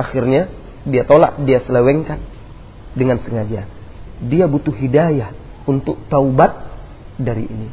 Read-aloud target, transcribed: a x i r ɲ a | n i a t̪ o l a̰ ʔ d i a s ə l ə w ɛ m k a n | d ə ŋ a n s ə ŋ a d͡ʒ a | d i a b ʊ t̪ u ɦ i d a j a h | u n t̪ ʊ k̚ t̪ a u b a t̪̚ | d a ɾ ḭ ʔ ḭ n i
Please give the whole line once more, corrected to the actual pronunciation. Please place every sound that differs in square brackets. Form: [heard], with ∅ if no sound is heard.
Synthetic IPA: a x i r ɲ a | [d] i a t̪ o l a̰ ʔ d i a s ə l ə w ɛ [ŋ] k a n | d ə ŋ a n s ə ŋ a d͡ʒ a | d i a b [u] t̪ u ɦ i d a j a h | u n t̪ ʊ k̚ t̪ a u b a t̪̚ | d a ɾ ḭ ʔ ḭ n i